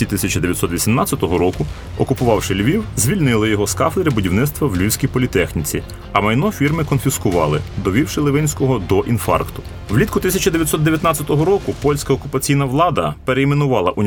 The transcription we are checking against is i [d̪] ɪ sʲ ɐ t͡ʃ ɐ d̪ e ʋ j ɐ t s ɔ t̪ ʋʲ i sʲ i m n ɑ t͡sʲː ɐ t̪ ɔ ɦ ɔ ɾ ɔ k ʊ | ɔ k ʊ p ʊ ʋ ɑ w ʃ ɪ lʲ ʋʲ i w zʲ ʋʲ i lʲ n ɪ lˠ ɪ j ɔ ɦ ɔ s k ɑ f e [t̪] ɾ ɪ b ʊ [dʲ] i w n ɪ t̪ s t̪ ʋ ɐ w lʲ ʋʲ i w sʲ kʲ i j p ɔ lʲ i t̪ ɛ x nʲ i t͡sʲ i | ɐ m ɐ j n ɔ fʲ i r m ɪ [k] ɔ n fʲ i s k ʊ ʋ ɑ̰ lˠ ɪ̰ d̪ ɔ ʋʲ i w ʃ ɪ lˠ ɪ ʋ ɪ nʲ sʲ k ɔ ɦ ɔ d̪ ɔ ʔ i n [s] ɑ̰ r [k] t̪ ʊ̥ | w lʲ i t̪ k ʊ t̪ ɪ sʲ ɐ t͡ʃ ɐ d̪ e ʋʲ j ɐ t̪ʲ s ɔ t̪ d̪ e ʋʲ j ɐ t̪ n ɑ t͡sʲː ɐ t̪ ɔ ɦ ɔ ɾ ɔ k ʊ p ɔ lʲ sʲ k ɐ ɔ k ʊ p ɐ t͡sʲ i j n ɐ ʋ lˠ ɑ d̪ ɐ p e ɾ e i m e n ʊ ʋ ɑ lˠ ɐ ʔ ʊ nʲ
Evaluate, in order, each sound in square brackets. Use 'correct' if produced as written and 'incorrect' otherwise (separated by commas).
incorrect, incorrect, correct, correct, incorrect, correct